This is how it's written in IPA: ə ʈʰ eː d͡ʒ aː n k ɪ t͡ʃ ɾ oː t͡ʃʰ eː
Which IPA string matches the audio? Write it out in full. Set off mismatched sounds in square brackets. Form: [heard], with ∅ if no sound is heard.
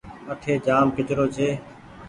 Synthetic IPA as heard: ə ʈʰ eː d͡ʒ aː [m] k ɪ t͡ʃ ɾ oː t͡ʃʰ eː